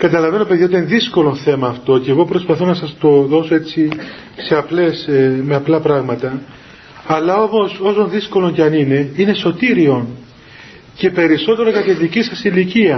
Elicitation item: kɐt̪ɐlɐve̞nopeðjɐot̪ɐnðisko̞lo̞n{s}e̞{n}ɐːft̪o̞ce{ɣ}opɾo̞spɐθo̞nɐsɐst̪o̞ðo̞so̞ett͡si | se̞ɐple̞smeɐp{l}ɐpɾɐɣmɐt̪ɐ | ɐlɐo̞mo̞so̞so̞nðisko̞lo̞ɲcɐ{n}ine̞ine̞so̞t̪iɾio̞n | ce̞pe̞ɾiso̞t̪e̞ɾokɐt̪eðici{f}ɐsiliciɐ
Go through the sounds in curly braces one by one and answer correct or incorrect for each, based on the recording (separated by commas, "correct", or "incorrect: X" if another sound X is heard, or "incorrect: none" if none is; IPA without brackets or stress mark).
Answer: incorrect: θ, incorrect: m, correct, correct, correct, incorrect: s